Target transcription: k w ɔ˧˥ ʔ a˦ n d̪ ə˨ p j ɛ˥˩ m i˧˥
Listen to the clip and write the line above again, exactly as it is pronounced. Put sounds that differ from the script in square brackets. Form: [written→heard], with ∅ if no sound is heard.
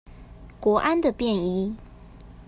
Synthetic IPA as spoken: k w ɔ˧˥ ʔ a˦ n d̪ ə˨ p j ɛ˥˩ [m→n] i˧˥